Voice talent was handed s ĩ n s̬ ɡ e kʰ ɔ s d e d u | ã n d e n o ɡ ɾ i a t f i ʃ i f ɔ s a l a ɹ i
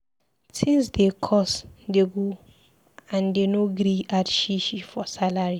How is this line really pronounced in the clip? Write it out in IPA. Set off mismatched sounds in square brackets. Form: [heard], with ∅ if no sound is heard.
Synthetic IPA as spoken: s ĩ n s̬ [d] e kʰ ɔ s d e [ɡ] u | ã n d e n o ɡ ɾ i a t [ʃ] i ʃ i f ɔ s a l a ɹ i